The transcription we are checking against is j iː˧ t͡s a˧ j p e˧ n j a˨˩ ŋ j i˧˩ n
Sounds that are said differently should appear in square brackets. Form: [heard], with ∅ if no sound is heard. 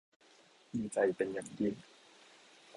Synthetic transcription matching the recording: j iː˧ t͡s a˧ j p e˧ n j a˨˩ ŋ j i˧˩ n

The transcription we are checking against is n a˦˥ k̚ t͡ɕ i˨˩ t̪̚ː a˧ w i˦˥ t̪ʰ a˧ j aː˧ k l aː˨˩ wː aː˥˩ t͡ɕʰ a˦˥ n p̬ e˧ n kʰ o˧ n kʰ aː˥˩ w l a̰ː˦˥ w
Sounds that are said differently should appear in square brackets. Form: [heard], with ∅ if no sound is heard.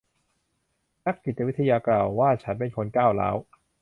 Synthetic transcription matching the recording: n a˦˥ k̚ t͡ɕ i˨˩ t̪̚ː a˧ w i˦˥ t̪ʰ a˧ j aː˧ k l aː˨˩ wː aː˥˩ t͡ɕʰ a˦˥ n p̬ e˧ n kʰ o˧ n [k] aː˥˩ w l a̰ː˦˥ w

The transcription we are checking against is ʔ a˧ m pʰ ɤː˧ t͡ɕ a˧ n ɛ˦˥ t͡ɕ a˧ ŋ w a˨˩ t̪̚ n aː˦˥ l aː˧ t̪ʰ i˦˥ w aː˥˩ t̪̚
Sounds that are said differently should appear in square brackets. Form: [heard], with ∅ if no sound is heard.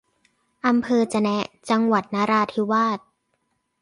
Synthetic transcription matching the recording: ʔ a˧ m pʰ ɤː˧ t͡ɕ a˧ n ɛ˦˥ t͡ɕ a˧ ŋ w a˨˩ t̪̚ n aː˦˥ [ɾ] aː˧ t̪ʰ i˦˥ w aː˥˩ t̪̚

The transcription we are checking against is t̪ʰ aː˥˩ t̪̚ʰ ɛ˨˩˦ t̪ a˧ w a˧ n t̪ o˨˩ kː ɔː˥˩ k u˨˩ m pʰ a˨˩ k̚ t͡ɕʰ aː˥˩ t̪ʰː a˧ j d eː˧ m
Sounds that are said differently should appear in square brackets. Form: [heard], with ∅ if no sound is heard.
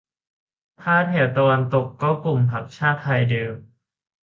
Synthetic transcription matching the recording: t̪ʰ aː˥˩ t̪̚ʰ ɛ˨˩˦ t̪ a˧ w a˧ n t̪ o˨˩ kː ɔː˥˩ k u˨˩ m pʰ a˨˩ k̚ t͡ɕʰ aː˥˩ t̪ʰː a˧ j d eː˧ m

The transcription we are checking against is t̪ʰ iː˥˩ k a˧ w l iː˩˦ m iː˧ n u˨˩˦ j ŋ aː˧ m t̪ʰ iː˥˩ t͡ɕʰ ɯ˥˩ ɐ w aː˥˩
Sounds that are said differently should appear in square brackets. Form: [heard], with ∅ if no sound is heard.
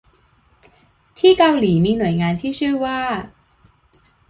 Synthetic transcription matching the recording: t̪ʰ iː˥˩ k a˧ w l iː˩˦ m iː˧ n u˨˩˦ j ŋ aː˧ [n] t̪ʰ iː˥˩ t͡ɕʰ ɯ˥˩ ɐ w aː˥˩

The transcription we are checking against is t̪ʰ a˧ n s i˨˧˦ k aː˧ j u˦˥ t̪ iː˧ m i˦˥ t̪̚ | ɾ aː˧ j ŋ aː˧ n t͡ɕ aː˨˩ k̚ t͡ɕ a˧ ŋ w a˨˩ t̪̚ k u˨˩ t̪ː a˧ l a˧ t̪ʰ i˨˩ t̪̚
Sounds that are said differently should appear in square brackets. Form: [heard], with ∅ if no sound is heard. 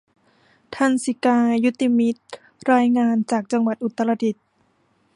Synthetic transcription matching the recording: t̪ʰ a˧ n s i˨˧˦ k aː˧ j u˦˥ t̪ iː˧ m i˦˥ t̪̚ | ɾ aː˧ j ŋ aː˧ n t͡ɕ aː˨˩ k̚ t͡ɕ a˧ ŋ w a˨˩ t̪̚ [ʔ] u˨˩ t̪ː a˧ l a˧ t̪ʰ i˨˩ t̪̚

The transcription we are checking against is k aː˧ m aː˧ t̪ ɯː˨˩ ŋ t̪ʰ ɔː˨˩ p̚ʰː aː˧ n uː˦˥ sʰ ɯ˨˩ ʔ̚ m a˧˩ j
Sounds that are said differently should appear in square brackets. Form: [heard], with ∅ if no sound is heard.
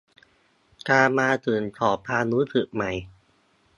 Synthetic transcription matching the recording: k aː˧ m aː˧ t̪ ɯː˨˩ [n] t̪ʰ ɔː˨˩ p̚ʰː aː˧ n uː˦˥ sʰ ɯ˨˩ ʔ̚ m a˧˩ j

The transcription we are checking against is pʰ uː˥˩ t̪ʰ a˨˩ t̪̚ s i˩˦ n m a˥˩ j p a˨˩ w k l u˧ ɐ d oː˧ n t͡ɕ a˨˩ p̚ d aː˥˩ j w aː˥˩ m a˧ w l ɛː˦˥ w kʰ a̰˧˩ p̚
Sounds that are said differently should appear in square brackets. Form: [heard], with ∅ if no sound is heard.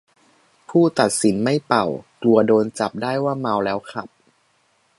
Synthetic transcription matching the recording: pʰ uː˥˩ [t̪] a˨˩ t̪̚ s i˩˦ n m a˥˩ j p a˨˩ w k l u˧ ɐ d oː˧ n t͡ɕ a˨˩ p̚ d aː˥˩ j w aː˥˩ m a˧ w l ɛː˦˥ w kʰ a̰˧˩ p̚

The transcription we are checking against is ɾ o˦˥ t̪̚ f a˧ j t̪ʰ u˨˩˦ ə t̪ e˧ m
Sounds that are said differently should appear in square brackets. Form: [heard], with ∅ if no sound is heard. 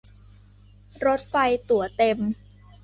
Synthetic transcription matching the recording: ɾ o˦˥ t̪̚ f a˧ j [t̪] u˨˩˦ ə t̪ e˧ m

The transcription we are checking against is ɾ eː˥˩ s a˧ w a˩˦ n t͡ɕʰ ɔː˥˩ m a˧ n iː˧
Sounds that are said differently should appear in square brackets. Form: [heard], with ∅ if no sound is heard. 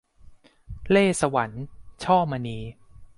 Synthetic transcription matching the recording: [l] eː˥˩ s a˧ w a˩˦ n t͡ɕʰ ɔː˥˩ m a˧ n iː˧

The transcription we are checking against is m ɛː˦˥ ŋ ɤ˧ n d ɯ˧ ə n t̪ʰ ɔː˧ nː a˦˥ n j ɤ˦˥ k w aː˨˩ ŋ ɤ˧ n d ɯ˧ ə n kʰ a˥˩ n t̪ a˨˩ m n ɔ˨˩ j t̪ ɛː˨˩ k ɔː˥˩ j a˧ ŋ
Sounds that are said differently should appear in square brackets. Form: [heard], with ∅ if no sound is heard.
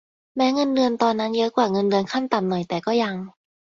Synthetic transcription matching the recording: m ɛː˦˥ ŋ ɤ˧ n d ɯ˧ ə n [t̪] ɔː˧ nː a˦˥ n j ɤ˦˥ k w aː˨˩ ŋ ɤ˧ n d ɯ˧ ə n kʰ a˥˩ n t̪ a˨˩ m n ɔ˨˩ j t̪ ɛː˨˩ k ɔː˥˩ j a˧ ŋ

